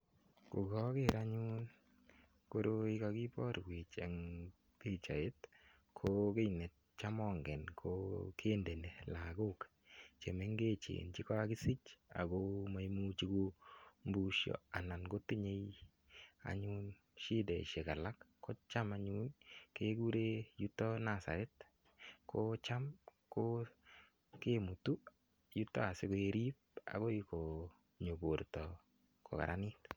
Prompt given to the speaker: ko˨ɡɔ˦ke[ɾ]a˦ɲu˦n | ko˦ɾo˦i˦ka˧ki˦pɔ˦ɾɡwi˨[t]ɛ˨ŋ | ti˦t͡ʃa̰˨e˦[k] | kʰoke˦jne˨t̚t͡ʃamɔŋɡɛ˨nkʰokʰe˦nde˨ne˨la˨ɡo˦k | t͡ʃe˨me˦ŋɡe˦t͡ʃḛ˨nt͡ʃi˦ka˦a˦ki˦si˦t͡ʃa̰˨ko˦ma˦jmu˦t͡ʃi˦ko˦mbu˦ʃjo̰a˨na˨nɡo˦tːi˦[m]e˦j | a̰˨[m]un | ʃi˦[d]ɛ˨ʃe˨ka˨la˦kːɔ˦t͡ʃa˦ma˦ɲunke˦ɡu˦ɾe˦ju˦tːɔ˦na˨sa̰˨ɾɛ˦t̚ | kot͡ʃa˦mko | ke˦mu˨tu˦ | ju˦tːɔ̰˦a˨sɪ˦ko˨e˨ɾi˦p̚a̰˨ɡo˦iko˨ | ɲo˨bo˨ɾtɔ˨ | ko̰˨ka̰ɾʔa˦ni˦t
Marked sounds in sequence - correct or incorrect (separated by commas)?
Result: correct, incorrect, incorrect, incorrect, incorrect, correct